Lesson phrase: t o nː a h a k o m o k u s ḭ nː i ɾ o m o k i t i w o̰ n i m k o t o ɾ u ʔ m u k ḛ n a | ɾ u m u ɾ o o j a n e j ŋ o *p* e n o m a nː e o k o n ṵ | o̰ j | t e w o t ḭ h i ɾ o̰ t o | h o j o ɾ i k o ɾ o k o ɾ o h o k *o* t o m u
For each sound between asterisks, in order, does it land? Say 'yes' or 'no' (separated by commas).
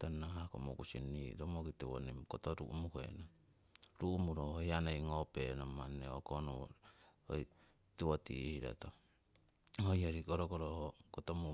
yes, yes